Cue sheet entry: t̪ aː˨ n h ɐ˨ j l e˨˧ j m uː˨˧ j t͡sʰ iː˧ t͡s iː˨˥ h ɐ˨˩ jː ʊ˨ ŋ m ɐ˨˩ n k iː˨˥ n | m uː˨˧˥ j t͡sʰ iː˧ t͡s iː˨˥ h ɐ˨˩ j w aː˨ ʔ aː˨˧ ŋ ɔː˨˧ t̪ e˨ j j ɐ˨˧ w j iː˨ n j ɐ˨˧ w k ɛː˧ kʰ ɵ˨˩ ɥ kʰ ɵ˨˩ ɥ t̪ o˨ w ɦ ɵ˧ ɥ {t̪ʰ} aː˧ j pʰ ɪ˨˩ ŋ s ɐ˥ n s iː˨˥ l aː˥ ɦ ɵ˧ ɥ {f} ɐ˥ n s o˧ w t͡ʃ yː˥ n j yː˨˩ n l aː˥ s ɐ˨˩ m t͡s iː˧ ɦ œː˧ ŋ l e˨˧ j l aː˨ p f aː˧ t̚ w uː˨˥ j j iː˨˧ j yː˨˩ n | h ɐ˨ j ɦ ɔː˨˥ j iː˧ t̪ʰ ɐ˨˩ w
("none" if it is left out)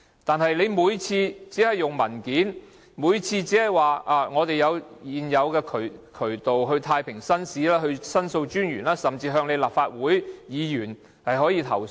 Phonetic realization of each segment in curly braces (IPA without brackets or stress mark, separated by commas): t̪ʰ, s